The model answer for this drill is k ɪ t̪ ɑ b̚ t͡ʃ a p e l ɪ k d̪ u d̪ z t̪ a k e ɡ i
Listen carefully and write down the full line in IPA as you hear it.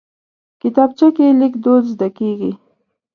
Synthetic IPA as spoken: k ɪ t̪ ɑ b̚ t͡ʃ a k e l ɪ k d̪ o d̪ z d̪ a k e ɡ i